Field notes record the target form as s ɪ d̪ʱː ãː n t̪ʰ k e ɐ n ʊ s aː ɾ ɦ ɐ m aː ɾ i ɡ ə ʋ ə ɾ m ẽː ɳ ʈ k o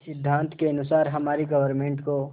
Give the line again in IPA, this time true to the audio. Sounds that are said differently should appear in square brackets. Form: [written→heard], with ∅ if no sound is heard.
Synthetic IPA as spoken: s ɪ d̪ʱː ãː n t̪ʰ k e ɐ n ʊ s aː ɾ ɦ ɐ m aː ɾ i ɡ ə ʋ ə ɾ m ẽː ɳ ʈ k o